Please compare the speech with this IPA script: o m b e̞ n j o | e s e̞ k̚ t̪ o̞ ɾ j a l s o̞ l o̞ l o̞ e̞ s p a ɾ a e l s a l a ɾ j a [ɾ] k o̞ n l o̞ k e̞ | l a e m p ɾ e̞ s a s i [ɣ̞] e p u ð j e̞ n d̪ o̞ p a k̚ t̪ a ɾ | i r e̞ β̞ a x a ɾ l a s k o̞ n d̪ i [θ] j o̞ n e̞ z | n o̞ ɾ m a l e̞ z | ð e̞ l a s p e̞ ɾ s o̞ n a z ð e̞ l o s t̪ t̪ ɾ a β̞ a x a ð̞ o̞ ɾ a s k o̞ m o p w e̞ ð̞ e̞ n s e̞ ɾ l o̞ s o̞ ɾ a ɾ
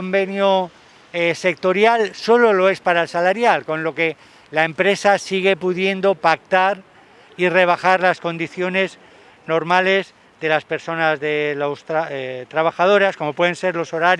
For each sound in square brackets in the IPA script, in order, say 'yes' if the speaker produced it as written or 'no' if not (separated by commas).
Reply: no, yes, yes